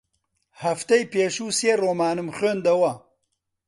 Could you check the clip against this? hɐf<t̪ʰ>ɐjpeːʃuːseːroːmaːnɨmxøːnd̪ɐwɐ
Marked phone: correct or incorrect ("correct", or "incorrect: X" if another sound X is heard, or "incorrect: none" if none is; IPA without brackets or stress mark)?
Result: incorrect: t̪